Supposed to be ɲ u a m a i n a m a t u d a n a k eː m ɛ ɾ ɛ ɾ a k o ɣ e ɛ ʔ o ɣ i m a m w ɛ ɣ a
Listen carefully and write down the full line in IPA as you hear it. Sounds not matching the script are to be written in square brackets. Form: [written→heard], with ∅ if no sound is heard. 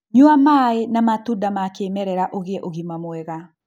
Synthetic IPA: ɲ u a m a [i→e] n a m a t u d a [n→m] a k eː m ɛ ɾ ɛ ɾ a [k→ʔ] o ɣ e ɛ ʔ o ɣ i m a m w ɛ ɣ a